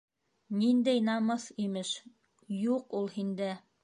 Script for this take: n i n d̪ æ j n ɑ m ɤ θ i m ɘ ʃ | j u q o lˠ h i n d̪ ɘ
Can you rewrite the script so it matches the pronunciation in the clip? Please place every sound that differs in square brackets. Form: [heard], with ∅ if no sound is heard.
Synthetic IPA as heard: n i n d̪ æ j n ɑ m ɤ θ i m ɘ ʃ | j u q [u] lˠ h i n d̪ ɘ